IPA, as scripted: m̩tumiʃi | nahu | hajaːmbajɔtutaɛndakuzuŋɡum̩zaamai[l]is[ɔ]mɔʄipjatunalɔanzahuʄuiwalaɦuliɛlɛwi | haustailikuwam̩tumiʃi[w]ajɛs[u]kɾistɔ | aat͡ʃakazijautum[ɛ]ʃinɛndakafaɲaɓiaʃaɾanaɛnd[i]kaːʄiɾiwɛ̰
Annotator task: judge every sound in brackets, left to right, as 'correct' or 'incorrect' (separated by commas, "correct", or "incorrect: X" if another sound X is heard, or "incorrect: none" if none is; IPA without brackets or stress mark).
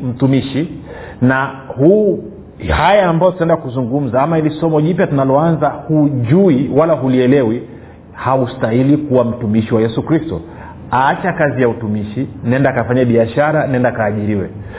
correct, correct, correct, correct, incorrect: i, incorrect: a